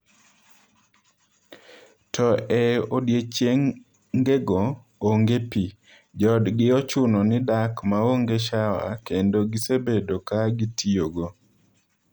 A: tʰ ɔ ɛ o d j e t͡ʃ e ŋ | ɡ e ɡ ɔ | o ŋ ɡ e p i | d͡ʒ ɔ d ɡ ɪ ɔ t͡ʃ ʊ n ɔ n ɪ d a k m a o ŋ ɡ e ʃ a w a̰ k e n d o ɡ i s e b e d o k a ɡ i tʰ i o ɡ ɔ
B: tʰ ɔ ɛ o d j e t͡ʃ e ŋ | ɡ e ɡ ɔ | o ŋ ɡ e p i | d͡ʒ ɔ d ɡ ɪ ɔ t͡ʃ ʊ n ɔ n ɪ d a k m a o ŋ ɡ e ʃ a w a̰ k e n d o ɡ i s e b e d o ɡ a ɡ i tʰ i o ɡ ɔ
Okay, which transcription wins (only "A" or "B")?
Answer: A